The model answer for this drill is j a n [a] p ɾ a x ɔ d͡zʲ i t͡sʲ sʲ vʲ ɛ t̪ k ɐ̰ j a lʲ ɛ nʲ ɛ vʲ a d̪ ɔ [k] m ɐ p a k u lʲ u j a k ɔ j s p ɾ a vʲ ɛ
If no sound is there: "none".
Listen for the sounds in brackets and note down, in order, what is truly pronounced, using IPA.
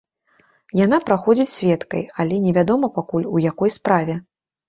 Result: a, none

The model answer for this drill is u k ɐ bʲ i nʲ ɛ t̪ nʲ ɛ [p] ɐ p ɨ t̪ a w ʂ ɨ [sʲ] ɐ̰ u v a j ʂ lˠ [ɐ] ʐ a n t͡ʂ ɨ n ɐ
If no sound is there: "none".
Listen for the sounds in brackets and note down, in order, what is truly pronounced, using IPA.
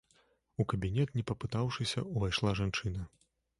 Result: p, sʲ, a

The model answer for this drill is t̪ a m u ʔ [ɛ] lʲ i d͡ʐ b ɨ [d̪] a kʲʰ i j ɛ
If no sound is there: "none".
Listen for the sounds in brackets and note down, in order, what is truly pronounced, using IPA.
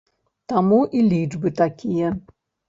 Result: i, t̪

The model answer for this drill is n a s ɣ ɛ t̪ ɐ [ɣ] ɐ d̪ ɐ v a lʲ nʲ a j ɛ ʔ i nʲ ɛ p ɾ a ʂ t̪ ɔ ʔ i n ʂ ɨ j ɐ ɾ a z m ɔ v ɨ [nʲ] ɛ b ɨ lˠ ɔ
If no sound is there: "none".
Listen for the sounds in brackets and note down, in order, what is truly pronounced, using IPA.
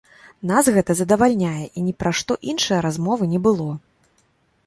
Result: z, nʲ

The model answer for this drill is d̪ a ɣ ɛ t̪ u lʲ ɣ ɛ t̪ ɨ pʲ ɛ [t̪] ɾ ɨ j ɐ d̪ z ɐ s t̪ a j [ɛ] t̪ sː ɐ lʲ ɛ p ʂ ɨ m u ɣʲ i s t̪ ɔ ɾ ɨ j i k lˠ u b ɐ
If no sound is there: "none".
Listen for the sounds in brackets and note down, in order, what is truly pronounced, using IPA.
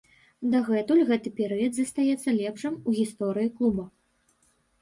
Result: none, ɛ

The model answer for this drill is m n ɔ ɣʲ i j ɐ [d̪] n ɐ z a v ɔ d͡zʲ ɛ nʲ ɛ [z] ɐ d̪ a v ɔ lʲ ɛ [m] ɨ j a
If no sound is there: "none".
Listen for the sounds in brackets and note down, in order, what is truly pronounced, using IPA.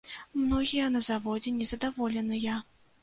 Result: none, z, n

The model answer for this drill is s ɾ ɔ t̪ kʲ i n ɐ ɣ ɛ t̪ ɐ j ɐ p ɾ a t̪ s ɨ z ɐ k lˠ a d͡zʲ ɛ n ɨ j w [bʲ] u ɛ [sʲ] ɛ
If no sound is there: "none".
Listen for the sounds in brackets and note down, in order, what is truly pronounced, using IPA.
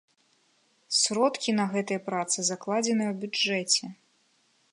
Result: bʲ, t͡sʲ

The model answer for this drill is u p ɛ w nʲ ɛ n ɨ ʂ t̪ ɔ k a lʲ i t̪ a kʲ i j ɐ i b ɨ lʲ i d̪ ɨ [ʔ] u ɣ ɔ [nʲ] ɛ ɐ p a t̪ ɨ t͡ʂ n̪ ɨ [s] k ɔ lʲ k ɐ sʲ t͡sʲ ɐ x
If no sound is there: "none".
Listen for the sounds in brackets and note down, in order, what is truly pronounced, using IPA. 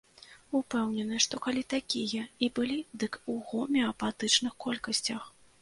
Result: k, mʲ, x

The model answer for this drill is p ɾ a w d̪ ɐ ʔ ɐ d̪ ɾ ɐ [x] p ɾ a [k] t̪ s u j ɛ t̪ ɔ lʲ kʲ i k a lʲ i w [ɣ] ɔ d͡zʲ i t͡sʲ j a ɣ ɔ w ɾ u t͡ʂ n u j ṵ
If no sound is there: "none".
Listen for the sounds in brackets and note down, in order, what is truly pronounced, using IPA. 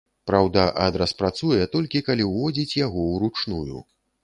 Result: s, none, v

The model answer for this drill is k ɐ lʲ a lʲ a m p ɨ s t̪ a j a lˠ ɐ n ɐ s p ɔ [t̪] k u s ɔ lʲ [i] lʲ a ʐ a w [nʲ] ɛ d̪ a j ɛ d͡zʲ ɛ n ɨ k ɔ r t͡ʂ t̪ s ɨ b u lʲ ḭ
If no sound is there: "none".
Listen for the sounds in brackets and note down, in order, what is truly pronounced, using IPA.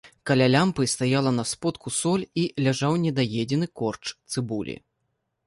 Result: t̪, i, nʲ

